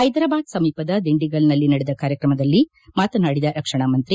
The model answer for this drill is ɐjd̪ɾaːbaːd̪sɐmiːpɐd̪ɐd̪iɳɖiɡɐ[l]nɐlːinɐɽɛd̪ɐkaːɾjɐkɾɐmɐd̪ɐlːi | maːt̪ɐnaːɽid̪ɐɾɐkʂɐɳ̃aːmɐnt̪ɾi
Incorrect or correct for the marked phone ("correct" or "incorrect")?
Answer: correct